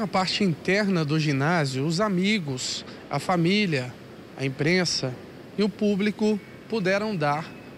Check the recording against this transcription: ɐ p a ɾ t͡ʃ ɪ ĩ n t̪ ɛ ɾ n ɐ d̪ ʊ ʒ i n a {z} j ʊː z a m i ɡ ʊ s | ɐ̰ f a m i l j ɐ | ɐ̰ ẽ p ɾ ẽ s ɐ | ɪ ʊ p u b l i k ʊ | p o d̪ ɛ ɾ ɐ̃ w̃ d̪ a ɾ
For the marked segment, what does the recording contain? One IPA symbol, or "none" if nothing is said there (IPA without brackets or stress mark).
z